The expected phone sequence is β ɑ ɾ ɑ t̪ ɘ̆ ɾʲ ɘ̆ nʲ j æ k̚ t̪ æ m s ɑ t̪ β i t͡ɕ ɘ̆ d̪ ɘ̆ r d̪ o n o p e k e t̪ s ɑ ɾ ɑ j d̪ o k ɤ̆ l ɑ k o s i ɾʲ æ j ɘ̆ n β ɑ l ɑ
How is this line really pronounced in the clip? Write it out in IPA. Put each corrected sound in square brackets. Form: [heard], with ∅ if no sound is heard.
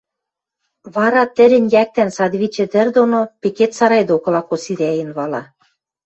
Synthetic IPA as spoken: β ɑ ɾ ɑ t̪ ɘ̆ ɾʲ ɘ̆ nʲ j æ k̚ t̪ æ [n] s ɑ [d̪] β i t͡ɕ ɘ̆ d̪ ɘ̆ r d̪ o n o p e k e t̪ s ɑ ɾ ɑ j d̪ o k ɤ̆ l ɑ k o s i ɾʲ æ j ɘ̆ n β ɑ l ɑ